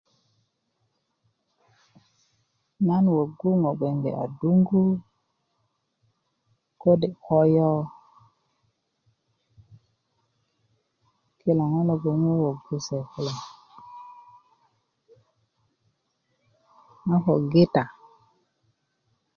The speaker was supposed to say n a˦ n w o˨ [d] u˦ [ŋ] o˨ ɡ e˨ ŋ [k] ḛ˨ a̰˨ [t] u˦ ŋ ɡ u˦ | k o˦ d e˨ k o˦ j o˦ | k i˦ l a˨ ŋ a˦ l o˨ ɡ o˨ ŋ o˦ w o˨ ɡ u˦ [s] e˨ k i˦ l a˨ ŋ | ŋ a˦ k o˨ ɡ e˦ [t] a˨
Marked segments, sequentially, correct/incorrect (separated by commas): incorrect, correct, incorrect, incorrect, correct, correct